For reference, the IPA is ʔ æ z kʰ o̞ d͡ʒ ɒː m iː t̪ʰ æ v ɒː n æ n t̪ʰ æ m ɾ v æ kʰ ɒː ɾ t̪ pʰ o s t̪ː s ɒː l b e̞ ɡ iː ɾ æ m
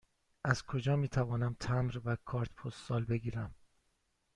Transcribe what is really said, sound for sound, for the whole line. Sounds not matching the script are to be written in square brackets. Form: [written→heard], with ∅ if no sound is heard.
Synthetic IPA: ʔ æ z kʰ o̞ d͡ʒ ɒː m iː t̪ʰ æ v ɒː n æ [n→m] t̪ʰ æ m ɾ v æ kʰ ɒː ɾ t̪ pʰ o s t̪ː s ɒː l b e̞ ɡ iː ɾ æ m

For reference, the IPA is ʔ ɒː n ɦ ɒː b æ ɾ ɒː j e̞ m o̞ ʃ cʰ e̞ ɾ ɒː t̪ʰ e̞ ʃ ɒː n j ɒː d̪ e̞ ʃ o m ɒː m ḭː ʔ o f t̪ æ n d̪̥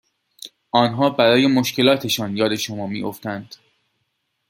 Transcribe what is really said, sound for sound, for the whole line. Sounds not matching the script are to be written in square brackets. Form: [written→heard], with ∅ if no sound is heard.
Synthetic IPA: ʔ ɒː n ɦ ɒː b æ ɾ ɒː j e̞ m o̞ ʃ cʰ e̞ [ɾ→l] ɒː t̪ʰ e̞ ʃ ɒː n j ɒː d̪ e̞ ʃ o m ɒː m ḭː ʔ o f t̪ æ n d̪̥

